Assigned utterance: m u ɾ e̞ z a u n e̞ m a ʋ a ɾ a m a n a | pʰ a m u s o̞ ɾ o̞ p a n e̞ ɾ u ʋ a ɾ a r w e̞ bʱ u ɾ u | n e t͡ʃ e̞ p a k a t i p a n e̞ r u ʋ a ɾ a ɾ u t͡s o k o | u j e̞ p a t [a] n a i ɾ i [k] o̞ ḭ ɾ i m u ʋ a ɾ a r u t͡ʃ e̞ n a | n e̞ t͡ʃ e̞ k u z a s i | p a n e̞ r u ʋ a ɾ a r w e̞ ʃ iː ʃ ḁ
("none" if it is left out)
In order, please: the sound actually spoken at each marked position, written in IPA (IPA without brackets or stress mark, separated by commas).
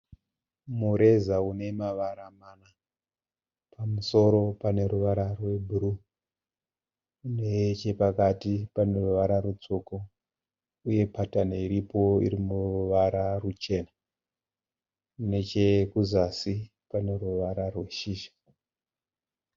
a, p